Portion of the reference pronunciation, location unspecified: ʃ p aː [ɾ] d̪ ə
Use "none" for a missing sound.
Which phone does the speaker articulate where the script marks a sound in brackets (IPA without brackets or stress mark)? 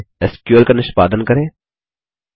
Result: none